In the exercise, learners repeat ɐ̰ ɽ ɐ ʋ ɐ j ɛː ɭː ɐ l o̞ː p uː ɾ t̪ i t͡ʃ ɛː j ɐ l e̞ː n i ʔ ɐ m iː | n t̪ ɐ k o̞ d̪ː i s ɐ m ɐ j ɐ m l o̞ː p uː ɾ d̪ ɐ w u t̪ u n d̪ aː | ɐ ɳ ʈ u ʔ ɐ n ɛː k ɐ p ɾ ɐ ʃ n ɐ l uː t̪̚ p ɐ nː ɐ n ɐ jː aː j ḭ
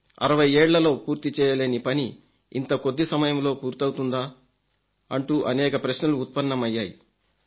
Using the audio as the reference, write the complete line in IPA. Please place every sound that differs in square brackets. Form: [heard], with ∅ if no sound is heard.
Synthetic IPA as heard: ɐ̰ [ɾ] ɐ ʋ ɐ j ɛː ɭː ɐ l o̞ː p uː ɾ t̪ i t͡ʃ ɛː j ɐ l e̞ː n i [p] ɐ [n] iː | n t̪ ɐ k o̞ d̪ː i s ɐ m ɐ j ɐ m l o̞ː p uː ɾ [t̪] ɐ w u t̪ u n d̪ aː | ɐ ɳ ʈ u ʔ ɐ n ɛː k ɐ p ɾ ɐ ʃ n ɐ l uː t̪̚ p ɐ nː ɐ [m] ɐ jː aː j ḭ